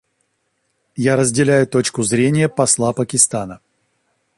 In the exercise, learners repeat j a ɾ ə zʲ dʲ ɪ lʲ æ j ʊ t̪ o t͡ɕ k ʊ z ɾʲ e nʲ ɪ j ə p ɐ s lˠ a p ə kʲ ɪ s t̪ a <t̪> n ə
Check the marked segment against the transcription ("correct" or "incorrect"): incorrect